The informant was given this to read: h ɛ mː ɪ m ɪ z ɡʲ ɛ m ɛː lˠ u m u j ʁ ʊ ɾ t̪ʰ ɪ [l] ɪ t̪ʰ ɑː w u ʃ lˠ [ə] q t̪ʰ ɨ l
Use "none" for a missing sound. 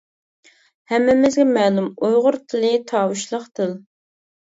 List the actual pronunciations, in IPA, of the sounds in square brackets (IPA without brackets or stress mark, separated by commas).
l, ə